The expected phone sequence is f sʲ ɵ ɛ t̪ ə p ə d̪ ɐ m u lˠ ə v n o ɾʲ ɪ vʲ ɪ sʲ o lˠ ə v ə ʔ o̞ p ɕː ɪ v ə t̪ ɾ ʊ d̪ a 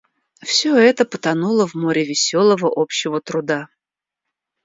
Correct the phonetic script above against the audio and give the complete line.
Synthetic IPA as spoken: f sʲ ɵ ɛ t̪ ə p ə t̪ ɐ n u lˠ ə v m o ɾʲ ɪ vʲ ɪ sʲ o lˠ ə v ə ʔ o̞ p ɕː ɪ v ə t̪ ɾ ʊ d̪ a